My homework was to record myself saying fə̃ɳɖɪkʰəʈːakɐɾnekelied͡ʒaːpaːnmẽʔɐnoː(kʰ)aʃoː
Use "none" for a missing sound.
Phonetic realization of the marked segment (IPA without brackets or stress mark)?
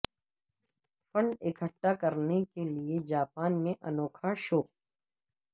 kʰ